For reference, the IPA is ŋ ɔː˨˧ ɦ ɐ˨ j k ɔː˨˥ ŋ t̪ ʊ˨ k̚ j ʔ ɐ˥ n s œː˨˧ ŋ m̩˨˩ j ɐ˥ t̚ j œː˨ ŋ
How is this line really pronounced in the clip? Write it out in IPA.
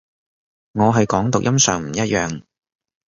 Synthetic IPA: ŋ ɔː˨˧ ɦ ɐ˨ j k ɔː˨˥ ŋ t̪ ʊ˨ k̚ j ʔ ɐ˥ m s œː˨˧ ŋ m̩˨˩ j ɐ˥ t̚ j œː˨ ŋ

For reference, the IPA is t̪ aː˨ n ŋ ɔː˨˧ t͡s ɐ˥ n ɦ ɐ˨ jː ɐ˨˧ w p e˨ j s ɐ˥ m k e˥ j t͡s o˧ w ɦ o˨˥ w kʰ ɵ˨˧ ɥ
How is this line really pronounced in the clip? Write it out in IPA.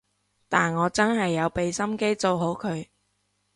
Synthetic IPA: t̪ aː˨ n ŋ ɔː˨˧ t͡s ɐ˥ n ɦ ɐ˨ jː ɐ˨˧ w p e˨ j s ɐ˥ m k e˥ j t͡s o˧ w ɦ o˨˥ w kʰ ɵ˨˧ ɥ

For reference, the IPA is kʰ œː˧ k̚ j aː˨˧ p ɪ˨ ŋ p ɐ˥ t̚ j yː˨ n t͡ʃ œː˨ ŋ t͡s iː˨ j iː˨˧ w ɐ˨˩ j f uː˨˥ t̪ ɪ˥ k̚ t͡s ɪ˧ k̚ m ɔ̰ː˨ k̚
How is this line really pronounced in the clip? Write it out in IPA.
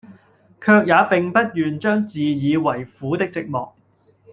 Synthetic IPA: kʰ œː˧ k̚ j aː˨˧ p ɪ˨ ŋ p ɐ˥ t̚ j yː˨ n t͡ʃ œː˥ ŋ t͡s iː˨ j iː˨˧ w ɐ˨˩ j f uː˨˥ t̪ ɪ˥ k̚ t͡s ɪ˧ k̚ m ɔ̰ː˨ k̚

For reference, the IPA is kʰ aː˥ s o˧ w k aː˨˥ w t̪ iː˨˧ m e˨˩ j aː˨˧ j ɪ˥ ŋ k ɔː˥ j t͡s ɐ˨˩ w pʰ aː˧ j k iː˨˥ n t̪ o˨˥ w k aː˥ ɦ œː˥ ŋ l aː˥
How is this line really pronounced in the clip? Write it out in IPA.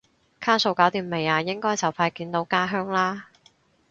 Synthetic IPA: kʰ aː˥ s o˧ w k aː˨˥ w t̪ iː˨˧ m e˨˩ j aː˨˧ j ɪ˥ ŋ k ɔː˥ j t͡s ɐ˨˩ w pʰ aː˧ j k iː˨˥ n t̪ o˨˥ w k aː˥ ɦ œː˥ ŋ l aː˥

